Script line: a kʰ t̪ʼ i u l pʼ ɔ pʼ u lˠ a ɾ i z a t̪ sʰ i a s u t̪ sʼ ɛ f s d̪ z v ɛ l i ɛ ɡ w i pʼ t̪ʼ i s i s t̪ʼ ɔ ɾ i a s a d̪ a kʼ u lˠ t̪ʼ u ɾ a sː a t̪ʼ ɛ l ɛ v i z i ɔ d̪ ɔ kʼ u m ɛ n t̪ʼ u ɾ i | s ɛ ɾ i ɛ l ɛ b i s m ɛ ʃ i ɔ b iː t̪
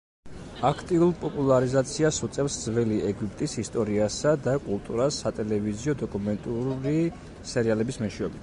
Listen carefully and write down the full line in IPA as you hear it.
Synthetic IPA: a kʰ t̪ʼ i u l pʼ ɔ pʼ u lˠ a ɾ i z a t̪ sʰ i a s u t̪ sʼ ɛ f s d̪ z v ɛ l i ɛ ɡ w i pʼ t̪ʼ i s i s t̪ʼ ɔ ɾ i a s a d̪ a kʼ u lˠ t̪ʼ u ɾ a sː a t̪ʼ ɛ l ɛ v i z i ɔ d̪ ɔ kʼ u m ɛ n t̪ʼ u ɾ i | s ɛ ɾ i a l ɛ b i s m ɛ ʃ i ɔ b i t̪